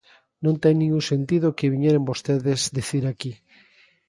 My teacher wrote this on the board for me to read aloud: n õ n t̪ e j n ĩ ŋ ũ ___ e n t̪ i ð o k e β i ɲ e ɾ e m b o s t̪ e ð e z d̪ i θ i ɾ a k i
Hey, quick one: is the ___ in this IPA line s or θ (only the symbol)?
s